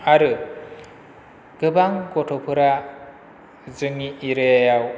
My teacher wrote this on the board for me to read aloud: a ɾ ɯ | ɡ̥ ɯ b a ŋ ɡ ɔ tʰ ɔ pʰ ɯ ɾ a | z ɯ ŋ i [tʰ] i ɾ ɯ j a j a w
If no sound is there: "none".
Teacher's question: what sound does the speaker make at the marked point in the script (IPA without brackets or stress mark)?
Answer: none